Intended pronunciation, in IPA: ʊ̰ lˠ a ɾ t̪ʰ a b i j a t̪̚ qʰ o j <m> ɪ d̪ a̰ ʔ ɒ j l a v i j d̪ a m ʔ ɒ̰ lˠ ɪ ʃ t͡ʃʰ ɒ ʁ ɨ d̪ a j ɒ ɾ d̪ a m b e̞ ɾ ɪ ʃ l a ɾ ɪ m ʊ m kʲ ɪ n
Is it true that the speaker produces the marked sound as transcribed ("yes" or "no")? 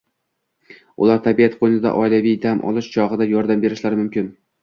no